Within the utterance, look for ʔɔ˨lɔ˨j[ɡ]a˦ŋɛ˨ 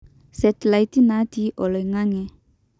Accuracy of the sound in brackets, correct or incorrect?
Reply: incorrect